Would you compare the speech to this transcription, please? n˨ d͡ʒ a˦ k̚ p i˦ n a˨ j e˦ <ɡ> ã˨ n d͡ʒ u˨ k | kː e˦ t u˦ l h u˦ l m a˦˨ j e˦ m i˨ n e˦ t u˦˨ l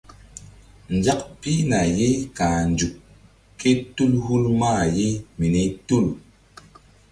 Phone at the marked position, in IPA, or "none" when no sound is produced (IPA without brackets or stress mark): k